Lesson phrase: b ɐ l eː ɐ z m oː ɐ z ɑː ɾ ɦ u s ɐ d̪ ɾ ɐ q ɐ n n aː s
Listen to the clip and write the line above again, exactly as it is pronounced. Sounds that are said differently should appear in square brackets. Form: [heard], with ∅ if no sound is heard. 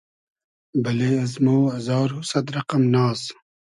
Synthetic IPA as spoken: b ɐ l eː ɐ z m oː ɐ z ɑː ɾ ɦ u s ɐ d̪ ɾ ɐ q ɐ [m] n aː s